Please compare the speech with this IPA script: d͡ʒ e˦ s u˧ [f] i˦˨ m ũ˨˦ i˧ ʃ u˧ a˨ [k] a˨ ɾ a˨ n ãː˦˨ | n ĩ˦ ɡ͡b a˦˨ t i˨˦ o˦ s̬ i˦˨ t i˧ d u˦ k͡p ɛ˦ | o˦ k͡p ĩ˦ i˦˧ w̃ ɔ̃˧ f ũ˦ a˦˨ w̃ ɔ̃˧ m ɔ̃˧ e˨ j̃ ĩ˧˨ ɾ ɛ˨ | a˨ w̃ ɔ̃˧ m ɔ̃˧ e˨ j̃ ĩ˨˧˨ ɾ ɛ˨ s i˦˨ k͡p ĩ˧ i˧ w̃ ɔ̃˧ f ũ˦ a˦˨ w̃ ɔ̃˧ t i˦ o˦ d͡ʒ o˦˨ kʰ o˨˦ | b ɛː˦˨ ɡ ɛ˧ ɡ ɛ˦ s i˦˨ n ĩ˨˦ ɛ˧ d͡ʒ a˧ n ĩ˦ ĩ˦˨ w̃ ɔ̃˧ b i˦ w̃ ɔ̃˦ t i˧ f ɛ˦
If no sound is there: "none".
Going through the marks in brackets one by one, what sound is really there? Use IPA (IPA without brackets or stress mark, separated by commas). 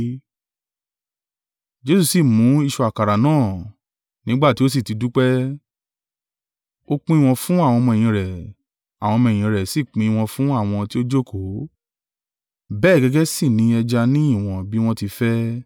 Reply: s, k